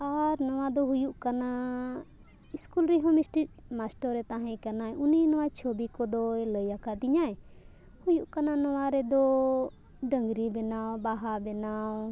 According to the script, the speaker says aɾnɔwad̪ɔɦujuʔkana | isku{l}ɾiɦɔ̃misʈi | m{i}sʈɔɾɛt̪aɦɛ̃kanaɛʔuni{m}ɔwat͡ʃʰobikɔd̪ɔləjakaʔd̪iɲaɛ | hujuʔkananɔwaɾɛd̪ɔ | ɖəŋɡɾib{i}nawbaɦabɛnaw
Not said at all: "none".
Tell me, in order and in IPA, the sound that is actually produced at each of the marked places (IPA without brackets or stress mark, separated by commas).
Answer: l, a, n, ɛ